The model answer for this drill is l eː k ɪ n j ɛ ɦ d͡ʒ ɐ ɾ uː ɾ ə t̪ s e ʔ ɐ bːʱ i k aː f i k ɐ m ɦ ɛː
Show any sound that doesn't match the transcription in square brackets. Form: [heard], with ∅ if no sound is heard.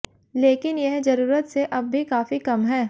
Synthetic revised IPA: l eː k ɪ n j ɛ ɦ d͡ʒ ɐ ɾ uː ɾ ə t̪ s e ʔ ɐ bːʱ i k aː f i k ɐ m ɦ ɛː